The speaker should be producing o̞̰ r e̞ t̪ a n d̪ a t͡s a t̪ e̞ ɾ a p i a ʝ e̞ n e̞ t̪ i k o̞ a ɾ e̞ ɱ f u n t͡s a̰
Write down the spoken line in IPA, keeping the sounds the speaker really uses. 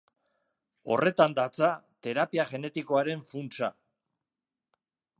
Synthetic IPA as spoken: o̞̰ r e̞ t̪ a n d̪ a t͡s a t̪ e̞ ɾ a p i a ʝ e̞ n e̞ t̪ i k o̞ a ɾ e̞ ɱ f u n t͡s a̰